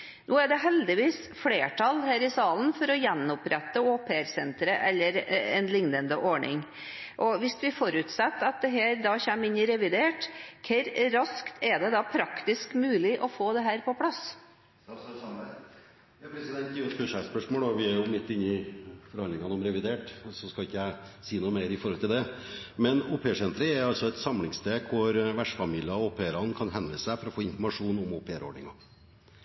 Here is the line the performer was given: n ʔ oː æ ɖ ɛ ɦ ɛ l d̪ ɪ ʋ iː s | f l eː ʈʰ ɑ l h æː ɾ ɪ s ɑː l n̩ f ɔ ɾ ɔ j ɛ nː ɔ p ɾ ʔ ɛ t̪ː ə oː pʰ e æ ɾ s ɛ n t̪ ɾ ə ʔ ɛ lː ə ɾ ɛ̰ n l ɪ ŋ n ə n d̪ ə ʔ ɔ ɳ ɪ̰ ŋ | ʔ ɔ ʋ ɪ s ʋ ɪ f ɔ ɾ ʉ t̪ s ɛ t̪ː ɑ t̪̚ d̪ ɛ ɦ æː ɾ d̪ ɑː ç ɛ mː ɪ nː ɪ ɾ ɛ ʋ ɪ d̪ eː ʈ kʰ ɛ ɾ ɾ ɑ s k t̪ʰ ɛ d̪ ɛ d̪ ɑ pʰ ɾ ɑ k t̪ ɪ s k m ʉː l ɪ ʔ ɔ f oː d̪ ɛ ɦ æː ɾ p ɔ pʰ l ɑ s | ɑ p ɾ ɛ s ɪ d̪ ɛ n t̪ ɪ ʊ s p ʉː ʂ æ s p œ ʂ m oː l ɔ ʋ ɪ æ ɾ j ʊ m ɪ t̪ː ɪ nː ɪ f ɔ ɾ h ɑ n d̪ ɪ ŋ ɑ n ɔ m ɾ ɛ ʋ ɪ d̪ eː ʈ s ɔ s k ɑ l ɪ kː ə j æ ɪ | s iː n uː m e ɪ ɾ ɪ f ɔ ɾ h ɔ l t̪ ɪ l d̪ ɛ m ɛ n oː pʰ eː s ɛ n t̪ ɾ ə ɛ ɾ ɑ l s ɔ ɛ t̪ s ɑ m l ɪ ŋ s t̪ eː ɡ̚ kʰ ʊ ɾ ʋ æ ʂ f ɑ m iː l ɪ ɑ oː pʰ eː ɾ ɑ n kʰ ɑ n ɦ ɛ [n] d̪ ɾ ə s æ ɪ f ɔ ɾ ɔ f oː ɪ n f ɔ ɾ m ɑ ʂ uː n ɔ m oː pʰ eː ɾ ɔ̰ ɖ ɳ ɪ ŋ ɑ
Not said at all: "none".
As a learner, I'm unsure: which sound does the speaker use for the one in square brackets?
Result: n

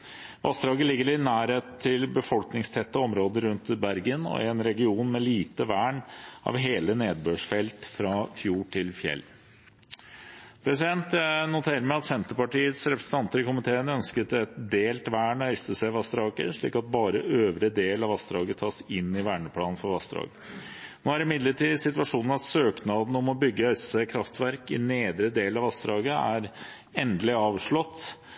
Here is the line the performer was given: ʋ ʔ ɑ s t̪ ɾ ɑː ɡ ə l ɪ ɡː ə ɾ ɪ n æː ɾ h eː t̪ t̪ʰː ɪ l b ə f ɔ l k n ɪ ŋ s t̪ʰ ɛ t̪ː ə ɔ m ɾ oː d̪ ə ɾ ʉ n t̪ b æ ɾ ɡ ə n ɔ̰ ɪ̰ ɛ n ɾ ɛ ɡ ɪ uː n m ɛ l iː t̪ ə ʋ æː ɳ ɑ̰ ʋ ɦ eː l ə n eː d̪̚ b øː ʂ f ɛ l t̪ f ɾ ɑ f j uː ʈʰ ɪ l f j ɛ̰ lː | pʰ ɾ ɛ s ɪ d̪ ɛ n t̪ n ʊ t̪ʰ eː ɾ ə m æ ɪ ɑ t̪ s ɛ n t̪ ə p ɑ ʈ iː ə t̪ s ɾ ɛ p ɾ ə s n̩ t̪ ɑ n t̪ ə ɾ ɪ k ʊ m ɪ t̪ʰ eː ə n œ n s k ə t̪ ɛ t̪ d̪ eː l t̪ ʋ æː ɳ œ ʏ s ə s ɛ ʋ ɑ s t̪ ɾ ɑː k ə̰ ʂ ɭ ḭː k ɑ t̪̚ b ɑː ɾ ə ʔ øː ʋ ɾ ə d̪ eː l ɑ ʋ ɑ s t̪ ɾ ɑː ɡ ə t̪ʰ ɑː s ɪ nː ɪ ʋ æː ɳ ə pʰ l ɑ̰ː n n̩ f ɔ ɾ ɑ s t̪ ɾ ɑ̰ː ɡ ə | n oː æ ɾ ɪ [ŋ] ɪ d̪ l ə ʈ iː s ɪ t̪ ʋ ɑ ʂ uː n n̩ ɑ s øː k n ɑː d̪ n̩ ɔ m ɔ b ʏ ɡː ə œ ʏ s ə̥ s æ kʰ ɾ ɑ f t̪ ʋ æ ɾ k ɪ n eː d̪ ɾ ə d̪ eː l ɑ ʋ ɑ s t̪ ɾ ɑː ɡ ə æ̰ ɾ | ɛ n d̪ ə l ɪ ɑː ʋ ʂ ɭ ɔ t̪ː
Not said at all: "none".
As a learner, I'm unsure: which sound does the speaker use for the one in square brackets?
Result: m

